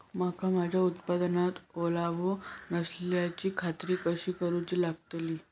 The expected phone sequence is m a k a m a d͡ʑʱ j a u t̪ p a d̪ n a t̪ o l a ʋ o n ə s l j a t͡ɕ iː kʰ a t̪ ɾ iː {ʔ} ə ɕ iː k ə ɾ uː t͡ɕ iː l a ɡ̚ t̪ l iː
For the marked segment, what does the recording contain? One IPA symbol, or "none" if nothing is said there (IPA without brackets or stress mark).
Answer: k